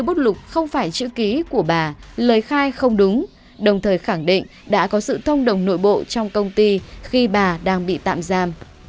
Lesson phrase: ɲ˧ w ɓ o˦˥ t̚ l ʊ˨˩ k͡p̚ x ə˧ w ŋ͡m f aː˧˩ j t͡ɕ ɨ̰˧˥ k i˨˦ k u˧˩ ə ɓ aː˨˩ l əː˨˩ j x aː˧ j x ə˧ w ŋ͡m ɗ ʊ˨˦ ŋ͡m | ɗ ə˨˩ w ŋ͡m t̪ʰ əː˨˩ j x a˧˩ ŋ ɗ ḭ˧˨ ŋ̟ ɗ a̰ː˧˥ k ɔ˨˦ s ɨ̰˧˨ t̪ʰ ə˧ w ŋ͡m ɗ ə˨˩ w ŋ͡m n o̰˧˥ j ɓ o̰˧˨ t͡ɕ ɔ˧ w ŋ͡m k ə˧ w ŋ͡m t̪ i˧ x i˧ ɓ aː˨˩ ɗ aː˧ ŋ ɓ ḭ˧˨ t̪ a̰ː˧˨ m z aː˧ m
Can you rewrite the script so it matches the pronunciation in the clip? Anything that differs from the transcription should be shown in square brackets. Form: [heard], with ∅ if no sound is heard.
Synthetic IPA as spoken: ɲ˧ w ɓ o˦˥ t̚ l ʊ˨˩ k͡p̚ x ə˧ w ŋ͡m f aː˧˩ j t͡ɕ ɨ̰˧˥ k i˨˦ k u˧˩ ə ɓ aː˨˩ l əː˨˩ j x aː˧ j x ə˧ w ŋ͡m ɗ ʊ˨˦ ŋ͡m | ɗ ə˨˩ w ŋ͡m t̪ʰ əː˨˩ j x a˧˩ ŋ ɗ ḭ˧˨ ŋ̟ ɗ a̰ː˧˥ k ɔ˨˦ s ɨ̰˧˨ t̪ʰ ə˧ w ŋ͡m ɗ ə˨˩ w ŋ͡m n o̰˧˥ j ɓ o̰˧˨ t͡ɕ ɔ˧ w ŋ͡m k ə˧ w ŋ͡m t̪ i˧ x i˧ ɓ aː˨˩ ɗ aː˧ ŋ ɓ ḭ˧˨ t̪ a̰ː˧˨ m z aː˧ m